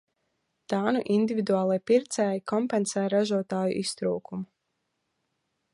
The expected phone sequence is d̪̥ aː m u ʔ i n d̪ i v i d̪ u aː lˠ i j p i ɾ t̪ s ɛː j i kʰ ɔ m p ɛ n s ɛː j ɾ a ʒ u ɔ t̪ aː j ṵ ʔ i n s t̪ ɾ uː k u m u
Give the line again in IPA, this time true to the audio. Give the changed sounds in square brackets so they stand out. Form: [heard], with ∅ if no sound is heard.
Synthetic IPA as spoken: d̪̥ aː [n] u ʔ i n d̪ i v i d̪ u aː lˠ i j p i ɾ t̪ s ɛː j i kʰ ɔ m p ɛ n s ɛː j ɾ a ʒ u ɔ t̪ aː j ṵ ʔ i [∅] s t̪ ɾ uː k u m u